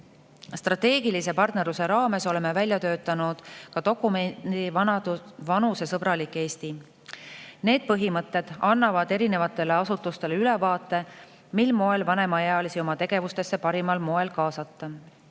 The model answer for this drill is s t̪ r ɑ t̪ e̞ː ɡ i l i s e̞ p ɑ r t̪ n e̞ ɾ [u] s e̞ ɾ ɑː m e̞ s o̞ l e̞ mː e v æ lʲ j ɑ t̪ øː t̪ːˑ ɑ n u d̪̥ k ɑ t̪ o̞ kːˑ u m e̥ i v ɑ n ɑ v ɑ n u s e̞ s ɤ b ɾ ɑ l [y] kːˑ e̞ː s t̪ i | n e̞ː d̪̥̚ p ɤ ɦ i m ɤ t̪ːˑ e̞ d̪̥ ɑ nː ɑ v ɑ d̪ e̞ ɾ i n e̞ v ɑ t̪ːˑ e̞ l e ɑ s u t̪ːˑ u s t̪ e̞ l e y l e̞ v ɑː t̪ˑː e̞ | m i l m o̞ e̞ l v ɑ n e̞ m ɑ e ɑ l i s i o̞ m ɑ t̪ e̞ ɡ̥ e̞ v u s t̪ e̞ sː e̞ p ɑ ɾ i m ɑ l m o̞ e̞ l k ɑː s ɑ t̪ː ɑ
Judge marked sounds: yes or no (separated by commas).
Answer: yes, no